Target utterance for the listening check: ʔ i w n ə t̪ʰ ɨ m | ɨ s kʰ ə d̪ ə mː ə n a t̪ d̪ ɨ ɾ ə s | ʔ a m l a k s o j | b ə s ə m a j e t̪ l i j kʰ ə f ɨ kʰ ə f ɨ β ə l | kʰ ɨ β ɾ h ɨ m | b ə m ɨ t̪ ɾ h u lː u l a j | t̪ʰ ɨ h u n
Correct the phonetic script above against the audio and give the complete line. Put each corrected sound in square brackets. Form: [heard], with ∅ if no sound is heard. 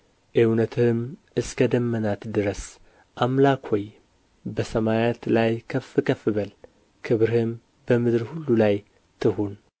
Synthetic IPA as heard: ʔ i w n ə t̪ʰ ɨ m | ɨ s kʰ ə d̪ ə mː ə n a t̪ d̪ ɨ ɾ ə s | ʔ a m l a k [h] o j | b ə s ə m a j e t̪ l [a] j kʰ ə f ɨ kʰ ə f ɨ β ə l | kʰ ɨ β ɾ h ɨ m | b ə m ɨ [d̪] ɾ h u lː u l a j | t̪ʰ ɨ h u n

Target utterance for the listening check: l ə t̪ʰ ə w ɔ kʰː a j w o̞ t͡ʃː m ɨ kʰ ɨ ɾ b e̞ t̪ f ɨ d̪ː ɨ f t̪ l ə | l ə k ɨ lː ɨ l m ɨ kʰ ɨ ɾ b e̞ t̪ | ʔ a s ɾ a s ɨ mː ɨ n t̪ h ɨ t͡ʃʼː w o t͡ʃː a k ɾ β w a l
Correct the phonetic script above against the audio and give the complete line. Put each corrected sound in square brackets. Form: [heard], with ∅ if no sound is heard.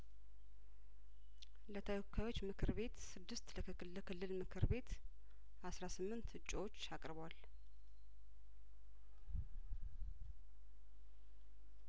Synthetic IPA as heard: l ə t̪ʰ ə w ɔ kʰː a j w o̞ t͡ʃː m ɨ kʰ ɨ ɾ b e̞ t̪ [s] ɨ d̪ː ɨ [s] t̪ l ə | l ə k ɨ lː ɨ l m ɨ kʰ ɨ ɾ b e̞ t̪ | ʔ a s ɾ a s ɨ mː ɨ n t̪ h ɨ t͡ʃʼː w o t͡ʃː a [kʼ] ɾ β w a l

